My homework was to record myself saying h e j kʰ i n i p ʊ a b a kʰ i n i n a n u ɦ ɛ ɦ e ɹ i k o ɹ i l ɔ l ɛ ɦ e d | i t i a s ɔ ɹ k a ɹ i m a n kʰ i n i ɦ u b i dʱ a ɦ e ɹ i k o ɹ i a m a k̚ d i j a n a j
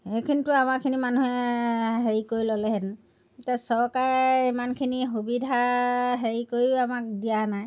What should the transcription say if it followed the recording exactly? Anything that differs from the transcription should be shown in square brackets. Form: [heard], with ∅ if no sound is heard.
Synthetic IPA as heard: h e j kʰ i n i [t] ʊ a [m] a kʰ i n i [m] a n u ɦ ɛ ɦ e ɹ i k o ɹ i l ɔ l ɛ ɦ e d | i t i a s ɔ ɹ k a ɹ i m a n kʰ i n i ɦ u b i dʱ a ɦ e ɹ i k o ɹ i a m a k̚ d i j a n a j